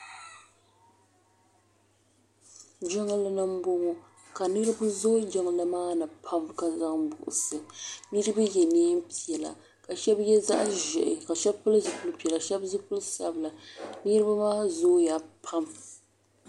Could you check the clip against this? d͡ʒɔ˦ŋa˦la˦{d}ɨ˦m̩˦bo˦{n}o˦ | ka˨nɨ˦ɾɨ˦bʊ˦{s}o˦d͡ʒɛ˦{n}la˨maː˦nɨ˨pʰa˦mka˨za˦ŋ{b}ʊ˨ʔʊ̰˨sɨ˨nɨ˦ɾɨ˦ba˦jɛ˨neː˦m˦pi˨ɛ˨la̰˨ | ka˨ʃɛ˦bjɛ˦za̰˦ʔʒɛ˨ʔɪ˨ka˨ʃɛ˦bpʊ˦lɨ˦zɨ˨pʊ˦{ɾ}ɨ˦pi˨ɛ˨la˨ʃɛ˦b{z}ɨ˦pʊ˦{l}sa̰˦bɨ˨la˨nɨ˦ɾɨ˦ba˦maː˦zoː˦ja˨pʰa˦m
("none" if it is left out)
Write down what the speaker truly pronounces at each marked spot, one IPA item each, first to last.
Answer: n, ŋ, z, ŋ, b, l, z, l

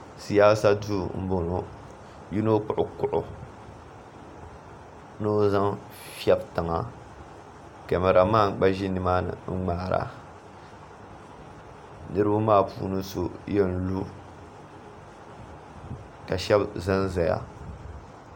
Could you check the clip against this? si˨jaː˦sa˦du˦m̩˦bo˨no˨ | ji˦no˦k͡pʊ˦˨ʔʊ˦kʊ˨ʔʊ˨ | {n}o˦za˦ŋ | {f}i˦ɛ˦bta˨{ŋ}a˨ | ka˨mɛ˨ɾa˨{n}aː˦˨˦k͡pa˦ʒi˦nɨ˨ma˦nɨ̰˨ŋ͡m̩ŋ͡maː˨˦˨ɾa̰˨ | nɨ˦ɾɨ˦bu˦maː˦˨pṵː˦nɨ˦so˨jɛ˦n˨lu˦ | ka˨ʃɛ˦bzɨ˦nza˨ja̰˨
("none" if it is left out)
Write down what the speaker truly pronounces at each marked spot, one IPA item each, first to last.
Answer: n, f, ŋ, m

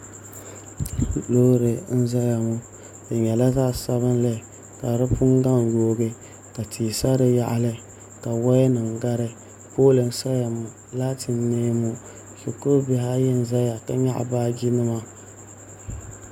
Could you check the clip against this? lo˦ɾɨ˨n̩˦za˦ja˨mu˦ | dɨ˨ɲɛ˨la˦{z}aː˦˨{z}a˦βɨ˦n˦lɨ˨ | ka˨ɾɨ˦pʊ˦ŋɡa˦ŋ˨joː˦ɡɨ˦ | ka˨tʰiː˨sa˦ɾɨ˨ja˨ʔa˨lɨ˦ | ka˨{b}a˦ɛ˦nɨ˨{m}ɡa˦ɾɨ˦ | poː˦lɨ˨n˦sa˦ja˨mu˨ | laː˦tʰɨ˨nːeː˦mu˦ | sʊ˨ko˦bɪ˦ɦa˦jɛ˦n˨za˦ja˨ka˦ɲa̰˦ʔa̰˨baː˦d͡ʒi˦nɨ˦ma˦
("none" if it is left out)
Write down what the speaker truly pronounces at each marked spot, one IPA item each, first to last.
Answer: z, s, w, ŋ

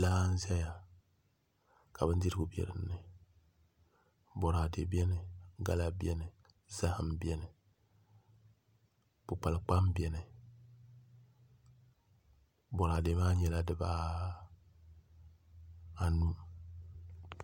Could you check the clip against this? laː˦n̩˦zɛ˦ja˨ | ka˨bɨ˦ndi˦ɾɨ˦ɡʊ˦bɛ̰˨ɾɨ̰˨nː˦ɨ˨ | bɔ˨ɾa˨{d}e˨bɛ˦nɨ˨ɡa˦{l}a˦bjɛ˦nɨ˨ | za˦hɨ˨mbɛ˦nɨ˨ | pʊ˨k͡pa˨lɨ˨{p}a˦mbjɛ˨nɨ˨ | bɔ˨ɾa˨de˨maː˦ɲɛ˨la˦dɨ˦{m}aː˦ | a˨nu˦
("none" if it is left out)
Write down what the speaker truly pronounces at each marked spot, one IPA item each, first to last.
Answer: d, l, k͡p, b

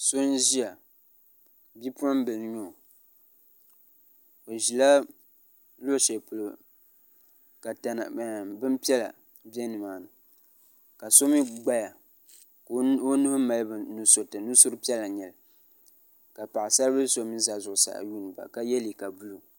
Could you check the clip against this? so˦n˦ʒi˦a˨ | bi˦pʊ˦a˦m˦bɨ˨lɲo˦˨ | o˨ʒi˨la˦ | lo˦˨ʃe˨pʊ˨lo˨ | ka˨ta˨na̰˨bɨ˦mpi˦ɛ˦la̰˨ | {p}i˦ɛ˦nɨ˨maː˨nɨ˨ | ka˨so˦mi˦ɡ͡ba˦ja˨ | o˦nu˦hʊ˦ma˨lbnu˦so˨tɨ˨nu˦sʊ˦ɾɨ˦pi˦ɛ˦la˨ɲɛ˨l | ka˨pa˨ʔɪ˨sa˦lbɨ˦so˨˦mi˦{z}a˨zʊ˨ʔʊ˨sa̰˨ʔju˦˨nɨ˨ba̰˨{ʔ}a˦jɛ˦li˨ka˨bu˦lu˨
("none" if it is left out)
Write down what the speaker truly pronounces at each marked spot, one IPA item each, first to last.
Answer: b, z, k

